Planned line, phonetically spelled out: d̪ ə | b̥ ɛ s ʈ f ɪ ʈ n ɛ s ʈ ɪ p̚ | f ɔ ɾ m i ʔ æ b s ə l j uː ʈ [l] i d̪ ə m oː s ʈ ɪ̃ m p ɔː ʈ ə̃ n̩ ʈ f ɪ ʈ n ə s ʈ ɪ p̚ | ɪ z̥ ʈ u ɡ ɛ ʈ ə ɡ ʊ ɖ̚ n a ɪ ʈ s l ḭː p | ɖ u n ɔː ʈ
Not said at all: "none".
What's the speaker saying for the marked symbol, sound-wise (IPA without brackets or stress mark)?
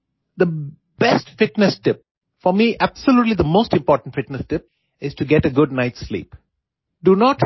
l